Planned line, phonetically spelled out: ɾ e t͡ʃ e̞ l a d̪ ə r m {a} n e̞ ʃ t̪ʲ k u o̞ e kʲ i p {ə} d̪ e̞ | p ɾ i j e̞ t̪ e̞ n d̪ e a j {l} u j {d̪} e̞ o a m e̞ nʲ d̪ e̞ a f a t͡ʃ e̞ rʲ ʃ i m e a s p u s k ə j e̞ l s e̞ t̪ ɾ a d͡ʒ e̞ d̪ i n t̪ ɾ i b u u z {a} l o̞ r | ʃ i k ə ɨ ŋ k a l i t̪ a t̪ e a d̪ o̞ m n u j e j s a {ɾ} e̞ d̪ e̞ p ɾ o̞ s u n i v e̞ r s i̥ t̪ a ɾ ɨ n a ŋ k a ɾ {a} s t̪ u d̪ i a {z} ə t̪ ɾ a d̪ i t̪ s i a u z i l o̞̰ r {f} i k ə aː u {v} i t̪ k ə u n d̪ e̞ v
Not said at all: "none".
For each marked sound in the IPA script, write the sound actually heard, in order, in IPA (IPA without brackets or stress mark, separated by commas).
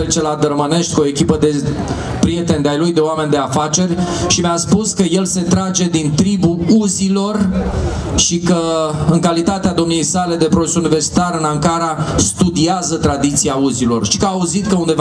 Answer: ə, ə, l, d̪, i, l, a, z, ʃ, z